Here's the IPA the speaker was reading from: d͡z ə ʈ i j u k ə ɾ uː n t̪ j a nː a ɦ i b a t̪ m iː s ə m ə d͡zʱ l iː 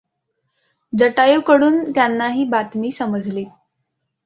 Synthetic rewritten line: d͡z ə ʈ a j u k ə ɽ uː n t̪ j a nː a ɦ iː b a t̪ m iː s ə m ə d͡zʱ l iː